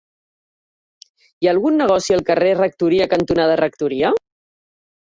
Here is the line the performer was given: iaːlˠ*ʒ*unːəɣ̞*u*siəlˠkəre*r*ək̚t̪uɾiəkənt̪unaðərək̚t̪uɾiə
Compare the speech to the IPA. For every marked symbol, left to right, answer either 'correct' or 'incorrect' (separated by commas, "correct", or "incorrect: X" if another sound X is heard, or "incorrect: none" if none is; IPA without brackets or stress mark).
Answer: incorrect: ɣ, incorrect: ɔ, correct